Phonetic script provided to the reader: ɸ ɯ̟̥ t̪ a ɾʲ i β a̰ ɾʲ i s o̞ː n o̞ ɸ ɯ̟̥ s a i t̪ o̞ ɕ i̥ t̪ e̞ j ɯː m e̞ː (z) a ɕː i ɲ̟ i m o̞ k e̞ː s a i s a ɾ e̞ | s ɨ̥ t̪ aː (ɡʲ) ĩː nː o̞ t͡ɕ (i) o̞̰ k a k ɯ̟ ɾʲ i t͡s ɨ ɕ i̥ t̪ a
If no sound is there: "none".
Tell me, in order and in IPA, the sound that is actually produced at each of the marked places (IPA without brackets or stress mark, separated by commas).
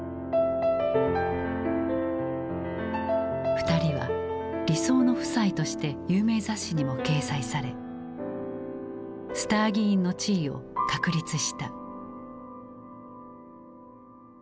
z, ɡʲ, iː